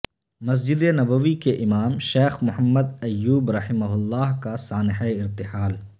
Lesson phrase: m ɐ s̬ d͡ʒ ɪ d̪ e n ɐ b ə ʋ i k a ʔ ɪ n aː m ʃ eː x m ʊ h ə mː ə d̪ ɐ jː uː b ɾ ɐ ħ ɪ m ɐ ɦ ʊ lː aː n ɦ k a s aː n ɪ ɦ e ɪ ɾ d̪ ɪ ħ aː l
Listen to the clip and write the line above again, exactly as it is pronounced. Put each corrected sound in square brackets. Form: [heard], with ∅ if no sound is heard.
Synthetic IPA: m ɐ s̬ d͡ʒ ɪ d̪ e n ɐ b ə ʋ i k [e] ʔ ɪ [m] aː m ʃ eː x m ʊ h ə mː ə d̪ ɐ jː uː b ɾ ɐ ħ ɪ m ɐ ɦ ʊ lː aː [∅] ɦ k a s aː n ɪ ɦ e ɪ ɾ [t̪] ɪ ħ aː l